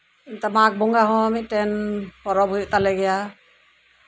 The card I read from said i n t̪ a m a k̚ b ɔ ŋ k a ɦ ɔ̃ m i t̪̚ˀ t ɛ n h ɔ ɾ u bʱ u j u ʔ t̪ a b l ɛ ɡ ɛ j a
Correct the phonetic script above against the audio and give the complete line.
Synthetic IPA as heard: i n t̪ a m a k̚ b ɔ ŋ ɡ a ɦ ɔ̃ m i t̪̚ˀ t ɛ n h ɔ ɾ ɔ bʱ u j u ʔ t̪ a l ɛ ɡ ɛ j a